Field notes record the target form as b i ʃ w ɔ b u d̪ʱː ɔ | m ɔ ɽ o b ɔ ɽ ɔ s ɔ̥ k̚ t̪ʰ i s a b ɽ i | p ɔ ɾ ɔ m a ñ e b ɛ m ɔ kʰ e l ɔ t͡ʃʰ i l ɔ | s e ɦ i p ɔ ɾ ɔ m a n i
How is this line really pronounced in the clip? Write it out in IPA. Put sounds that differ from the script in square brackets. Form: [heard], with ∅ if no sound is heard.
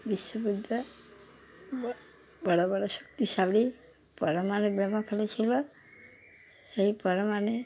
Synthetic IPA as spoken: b i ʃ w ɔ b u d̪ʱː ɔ | [b] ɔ ɽ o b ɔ ɽ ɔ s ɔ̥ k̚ [t̪] i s a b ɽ i | p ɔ ɾ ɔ m a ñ e b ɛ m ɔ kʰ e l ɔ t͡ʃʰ i l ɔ | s e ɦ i p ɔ ɾ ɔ m a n [e]